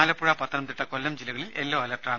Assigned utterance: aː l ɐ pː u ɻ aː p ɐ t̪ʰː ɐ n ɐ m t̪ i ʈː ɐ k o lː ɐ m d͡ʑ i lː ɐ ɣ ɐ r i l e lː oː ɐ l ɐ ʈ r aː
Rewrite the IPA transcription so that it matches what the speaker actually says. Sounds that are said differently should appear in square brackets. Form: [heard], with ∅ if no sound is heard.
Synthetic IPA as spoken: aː l ɐ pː u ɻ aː p ɐ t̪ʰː ɐ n ɐ m t̪ i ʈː ɐ k o lː ɐ m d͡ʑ i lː ɐ ɣ ɐ [ɭ] i l e lː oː ɐ l ɐ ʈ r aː